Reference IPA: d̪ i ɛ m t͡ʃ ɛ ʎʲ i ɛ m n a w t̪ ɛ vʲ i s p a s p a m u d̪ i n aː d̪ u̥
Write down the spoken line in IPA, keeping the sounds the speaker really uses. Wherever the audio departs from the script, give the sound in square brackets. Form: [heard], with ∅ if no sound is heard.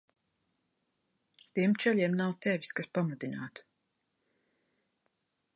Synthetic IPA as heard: [t̪] i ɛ m t͡ʃ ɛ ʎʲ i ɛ m n a w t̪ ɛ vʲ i s [k] a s p a m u d̪ i n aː [t̪] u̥